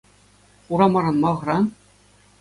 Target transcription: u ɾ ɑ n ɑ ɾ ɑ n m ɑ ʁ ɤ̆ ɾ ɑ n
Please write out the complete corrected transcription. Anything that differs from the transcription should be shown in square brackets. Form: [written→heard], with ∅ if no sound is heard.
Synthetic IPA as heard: u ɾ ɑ [n→m] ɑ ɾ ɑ n m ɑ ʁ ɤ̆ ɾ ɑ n